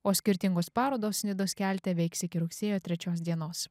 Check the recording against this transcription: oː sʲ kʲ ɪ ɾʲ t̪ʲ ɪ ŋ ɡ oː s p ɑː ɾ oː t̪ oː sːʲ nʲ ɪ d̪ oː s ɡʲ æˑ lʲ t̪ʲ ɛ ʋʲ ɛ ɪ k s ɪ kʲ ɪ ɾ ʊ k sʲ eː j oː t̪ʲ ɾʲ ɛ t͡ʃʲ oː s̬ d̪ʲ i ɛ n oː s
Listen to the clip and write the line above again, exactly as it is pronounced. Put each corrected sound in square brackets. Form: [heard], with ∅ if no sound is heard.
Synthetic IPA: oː sʲ kʲ ɪ ɾʲ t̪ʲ ɪ ŋ ɡ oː s p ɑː ɾ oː [d̪] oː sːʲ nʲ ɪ d̪ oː s [kʲ] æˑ lʲ t̪ʲ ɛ ʋʲ ɛ ɪ k s ɪ kʲ ɪ ɾ ʊ k sʲ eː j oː t̪ʲ ɾʲ ɛ t͡ʃʲ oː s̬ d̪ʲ i ɛ n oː s